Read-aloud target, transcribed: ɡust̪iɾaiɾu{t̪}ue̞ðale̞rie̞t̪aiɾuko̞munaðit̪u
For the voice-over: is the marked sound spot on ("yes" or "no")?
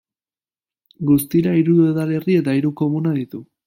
no